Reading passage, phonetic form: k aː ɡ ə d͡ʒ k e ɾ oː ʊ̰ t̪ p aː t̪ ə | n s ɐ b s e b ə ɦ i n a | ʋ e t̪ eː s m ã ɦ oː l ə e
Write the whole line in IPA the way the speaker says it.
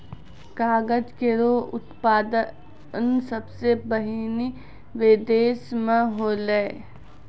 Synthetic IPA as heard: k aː ɡ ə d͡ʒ k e ɾ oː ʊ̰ t̪ p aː d̪ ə | n s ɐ b s e b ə ɦ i n i | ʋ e d̪ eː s m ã ɦ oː l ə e